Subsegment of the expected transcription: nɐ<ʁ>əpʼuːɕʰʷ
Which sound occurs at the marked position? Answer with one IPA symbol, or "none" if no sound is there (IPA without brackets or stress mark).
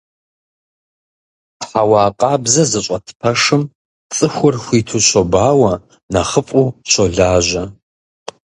χ